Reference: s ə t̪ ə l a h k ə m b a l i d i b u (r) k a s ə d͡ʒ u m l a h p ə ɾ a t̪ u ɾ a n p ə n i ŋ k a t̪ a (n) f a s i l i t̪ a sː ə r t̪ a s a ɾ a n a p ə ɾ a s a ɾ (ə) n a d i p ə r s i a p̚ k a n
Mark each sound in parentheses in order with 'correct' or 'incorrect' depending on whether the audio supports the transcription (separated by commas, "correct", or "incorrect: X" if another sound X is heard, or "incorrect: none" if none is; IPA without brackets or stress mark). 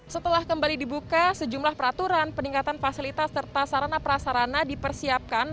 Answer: incorrect: none, correct, incorrect: a